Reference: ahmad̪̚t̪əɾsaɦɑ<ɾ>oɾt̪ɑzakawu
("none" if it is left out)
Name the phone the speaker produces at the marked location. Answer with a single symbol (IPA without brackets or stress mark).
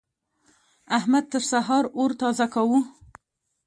ɾ